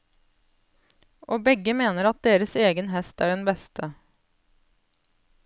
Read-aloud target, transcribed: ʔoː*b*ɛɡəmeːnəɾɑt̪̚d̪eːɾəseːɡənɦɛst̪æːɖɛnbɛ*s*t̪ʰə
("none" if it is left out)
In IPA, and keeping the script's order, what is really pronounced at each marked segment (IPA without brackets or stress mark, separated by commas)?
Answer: b, s